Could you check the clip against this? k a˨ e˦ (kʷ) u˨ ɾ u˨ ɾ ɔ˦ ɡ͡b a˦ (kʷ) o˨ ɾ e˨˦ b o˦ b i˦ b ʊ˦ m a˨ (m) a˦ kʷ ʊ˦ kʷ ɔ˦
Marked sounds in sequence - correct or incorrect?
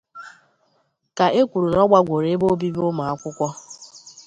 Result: correct, incorrect: ɡʷ, incorrect: none

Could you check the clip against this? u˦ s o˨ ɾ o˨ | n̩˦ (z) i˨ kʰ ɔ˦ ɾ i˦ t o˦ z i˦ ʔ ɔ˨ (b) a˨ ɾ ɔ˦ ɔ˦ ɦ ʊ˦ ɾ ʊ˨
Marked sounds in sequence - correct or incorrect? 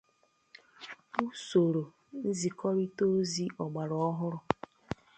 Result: correct, incorrect: ɡ͡b

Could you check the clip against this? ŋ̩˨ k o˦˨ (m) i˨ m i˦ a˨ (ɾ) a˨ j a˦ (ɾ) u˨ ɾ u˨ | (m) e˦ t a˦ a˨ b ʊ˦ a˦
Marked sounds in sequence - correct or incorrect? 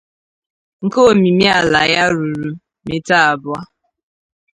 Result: correct, incorrect: l, correct, correct

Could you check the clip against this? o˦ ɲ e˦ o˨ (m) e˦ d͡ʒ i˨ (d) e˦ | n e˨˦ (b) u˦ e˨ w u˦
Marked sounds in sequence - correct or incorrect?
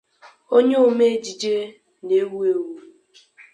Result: correct, incorrect: d͡ʒ, incorrect: w

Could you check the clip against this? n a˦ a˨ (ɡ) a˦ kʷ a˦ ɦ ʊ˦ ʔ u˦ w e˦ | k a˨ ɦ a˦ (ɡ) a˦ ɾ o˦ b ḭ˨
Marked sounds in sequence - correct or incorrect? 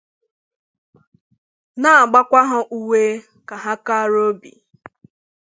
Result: incorrect: ɡ͡b, incorrect: k

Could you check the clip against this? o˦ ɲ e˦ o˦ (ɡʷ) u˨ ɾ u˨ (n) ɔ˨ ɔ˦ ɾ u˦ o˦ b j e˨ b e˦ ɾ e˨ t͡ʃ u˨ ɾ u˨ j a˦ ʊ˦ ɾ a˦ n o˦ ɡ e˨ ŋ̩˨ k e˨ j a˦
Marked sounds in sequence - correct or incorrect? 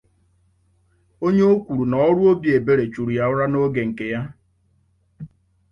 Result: incorrect: kʷ, correct

